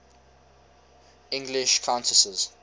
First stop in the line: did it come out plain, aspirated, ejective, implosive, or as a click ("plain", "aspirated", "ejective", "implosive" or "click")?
plain